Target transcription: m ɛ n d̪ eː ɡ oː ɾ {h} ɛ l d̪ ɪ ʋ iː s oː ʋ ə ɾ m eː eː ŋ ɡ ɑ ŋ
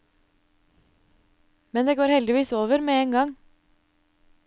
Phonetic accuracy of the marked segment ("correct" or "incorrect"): correct